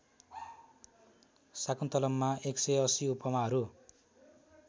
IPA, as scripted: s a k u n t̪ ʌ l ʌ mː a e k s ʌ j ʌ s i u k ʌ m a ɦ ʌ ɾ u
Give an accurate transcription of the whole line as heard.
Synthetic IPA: s a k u n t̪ ʌ l ʌ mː a e k s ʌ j ʌ s i u p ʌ m a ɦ ʌ ɾ u